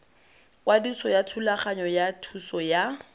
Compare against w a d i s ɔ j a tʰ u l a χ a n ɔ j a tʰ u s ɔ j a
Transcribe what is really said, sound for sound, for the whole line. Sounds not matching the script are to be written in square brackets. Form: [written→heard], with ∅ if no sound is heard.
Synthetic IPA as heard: w a d i s ɔ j a tʰ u l a χ a [n→ɲ] ɔ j a tʰ u s ɔ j a